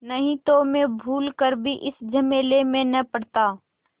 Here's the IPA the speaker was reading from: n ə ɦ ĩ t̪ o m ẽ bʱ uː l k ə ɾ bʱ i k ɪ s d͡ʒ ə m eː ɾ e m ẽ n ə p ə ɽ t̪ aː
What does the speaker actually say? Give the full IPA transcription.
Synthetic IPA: n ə ɦ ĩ t̪ o m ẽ bʱ uː l k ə ɾ bʱ i ʔ ɪ s d͡ʒ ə m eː l e m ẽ n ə p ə ɽ t̪ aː